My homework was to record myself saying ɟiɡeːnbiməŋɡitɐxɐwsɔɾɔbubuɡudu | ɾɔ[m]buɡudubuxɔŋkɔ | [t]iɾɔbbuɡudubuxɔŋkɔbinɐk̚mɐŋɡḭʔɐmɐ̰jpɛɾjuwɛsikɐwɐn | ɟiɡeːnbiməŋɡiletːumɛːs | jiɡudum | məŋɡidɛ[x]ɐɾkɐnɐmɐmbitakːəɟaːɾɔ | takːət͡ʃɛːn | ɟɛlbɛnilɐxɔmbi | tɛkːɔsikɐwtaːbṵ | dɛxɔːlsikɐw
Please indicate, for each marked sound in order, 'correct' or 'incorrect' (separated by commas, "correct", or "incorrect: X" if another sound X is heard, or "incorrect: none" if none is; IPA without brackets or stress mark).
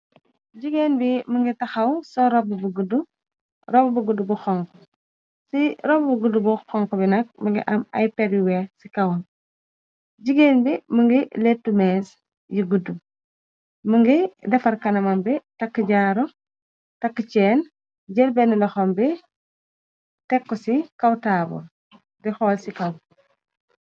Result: incorrect: b, incorrect: s, incorrect: f